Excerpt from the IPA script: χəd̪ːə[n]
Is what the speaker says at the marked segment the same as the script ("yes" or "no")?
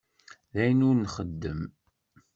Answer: no